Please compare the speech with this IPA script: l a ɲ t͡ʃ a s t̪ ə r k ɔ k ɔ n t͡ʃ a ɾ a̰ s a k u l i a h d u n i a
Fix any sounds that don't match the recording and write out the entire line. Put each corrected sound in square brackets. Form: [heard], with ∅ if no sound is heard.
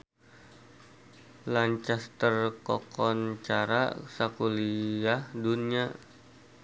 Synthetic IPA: l a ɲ t͡ʃ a s t̪ ə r k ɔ k ɔ n t͡ʃ a ɾ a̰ s a k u l i a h d u n i a